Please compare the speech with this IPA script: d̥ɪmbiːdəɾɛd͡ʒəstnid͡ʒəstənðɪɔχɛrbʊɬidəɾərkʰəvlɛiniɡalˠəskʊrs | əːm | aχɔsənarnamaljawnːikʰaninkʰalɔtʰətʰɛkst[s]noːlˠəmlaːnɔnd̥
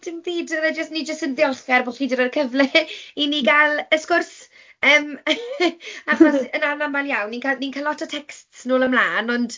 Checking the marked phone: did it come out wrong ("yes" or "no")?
no